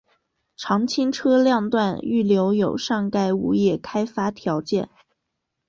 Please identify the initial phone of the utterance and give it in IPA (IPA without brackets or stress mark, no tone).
ʈ͡ʂʰ